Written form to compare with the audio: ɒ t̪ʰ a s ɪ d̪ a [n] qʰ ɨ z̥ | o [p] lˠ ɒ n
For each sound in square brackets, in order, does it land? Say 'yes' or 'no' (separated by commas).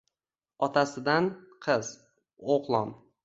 yes, no